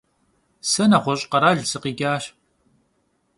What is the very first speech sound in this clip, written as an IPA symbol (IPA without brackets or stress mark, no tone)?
s